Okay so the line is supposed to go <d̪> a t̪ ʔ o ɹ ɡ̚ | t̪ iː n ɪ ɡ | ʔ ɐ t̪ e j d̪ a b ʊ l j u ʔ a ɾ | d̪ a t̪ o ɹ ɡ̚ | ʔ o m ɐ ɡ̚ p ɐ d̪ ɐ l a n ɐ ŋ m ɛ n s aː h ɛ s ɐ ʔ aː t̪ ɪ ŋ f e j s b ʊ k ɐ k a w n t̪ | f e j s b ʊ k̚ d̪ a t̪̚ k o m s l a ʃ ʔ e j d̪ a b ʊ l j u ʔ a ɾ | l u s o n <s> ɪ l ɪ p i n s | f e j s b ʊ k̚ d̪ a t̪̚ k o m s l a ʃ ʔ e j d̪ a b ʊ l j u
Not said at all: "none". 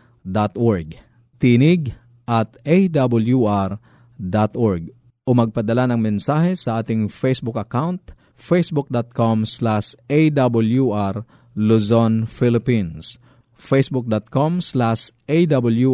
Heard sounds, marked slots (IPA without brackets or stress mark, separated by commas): d̪, f